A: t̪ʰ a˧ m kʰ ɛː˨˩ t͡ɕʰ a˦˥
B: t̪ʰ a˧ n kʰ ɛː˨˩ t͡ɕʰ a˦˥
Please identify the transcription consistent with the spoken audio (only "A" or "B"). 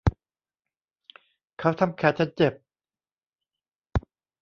A